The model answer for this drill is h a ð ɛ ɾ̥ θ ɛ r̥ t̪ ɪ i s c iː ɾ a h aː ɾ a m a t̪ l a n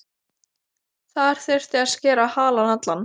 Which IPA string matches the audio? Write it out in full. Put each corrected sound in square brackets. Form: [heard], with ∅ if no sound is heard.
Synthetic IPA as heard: [θ] a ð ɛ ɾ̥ θ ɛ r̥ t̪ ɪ [a] s c [ɛː] ɾ a h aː [l] a [n] a t̪ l a n